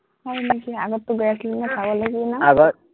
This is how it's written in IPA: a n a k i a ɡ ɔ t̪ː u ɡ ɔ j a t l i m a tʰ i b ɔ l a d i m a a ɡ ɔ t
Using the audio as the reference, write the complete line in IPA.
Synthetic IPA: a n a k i a ɡ ɔ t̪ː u ɡ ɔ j a s l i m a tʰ a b ɔ l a ɡ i n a a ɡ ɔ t